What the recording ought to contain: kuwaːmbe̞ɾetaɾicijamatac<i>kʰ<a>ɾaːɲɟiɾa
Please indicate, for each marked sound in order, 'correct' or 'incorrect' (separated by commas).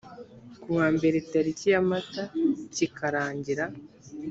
correct, correct